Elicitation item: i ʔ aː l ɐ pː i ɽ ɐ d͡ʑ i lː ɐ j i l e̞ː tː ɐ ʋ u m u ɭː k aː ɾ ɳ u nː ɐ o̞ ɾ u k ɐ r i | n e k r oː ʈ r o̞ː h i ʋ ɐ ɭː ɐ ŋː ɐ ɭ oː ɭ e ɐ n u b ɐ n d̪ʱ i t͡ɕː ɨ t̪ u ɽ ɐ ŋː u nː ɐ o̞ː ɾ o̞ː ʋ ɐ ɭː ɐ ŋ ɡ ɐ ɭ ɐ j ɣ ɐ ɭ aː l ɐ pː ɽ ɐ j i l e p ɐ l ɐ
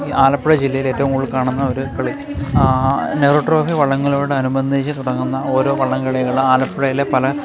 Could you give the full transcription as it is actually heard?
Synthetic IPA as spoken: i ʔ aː l ɐ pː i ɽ ɐ d͡ʑ i lː ɐ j i l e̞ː tː ɐ ʋ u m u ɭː k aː ɳ u nː ɐ o̞ ɾ u k ɐ ɭ i | n e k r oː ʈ r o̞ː f i ʋ ɐ ɭː ɐ ŋː ɐ ɭ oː ɽ e ɐ n u b ɐ n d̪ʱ i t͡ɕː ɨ t̪ u ɽ ɐ ŋː u nː ɐ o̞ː ɾ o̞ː ʋ ɐ ɭː ɐ ŋ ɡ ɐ ɭ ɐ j ɣ ɐ ɭ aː l ɐ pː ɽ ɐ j i l e p ɐ l ɐ